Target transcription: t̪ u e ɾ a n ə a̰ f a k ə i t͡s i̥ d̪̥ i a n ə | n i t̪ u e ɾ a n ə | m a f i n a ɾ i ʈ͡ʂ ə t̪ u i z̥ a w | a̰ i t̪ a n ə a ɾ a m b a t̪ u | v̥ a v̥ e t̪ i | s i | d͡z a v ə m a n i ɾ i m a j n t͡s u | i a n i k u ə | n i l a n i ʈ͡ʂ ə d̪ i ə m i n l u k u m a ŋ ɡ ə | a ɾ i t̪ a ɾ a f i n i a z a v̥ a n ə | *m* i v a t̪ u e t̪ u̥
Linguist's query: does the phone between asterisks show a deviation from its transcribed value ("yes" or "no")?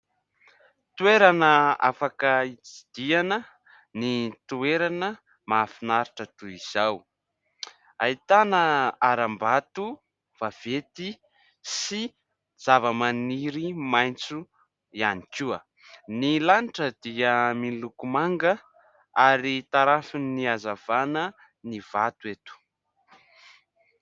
yes